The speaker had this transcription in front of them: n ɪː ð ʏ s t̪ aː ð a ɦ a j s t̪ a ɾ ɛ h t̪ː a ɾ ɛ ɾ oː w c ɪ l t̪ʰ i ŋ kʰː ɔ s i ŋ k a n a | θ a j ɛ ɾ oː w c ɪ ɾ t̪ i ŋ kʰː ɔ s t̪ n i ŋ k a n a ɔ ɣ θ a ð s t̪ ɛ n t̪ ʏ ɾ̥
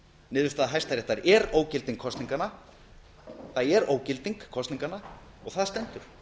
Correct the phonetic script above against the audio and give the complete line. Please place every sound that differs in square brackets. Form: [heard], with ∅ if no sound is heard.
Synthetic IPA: n ɪː ð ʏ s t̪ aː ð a ɦ a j s t̪ a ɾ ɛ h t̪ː a ɾ ɛ ɾ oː w c ɪ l [t̪] i ŋ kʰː ɔ s i ŋ k a n a | θ a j ɛ ɾ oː w c ɪ [l] t̪ i ŋ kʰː ɔ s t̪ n i ŋ k a n a ɔ ɣ θ a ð s t̪ ɛ n t̪ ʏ ɾ̥